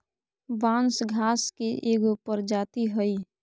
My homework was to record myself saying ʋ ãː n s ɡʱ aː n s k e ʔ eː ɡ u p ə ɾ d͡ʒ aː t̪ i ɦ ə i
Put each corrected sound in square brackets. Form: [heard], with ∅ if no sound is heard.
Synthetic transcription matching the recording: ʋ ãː n s ɡʱ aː [∅] s k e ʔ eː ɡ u p ə ɾ d͡ʒ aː t̪ i ɦ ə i